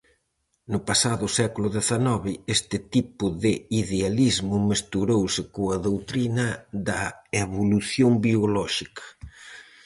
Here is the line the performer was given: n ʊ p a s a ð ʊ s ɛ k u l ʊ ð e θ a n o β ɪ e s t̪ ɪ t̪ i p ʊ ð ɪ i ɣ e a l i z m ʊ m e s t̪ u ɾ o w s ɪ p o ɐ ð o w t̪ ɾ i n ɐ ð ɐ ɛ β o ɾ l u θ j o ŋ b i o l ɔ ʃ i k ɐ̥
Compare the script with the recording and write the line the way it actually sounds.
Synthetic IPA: n ʊ p a s a ð ʊ s ɛ k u l ʊ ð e θ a n ɔ β ɪ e s t̪ ɪ t̪ i p ʊ ð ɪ i ð e a l i z m ʊ m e s t̪ u ɾ o w s ɪ k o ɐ ð o w t̪ ɾ i n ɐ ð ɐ e β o l u θ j o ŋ b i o l ɔ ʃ i k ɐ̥